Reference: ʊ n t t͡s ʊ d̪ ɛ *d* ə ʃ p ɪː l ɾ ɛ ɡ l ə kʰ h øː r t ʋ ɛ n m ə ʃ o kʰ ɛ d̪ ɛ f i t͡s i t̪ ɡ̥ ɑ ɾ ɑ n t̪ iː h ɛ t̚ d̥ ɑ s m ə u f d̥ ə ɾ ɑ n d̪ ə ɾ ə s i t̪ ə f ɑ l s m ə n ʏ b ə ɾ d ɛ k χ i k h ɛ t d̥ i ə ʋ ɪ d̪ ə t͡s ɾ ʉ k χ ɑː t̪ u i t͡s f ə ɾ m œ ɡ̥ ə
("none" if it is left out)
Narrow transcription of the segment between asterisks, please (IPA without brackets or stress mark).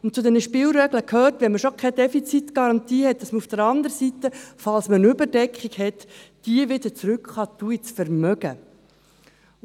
n